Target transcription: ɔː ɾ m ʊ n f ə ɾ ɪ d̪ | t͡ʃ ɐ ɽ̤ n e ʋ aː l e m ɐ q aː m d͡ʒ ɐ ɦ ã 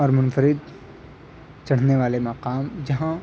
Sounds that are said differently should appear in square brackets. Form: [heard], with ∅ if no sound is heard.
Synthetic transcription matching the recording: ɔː ɾ m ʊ n f ə ɾ ɪ d̪ | t͡ʃ ɐ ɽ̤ n e ʋ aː l e m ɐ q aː m d͡ʒ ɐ ɦ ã